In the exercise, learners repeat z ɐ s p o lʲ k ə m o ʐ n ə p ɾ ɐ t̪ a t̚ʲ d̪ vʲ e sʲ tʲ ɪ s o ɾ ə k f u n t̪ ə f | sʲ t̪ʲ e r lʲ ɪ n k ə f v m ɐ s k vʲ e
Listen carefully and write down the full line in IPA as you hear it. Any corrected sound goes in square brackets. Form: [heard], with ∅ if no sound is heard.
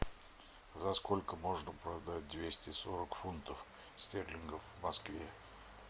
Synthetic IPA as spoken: z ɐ s [k] o lʲ k ə m o ʐ n ə p ɾ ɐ [d̪] a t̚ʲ d̪ vʲ e sʲ tʲ ɪ s o ɾ ə k f u n t̪ ə f | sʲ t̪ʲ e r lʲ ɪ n [ɡ] ə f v m ɐ s k vʲ e